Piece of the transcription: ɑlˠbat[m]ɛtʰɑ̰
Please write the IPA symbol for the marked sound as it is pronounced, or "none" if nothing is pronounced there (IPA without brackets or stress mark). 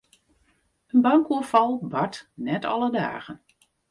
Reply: n